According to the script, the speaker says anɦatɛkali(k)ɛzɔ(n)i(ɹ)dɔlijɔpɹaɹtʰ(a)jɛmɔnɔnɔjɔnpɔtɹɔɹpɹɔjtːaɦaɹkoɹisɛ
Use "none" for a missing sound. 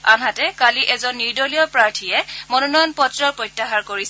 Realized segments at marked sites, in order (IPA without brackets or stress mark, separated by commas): ʔ, nː, ɹ, i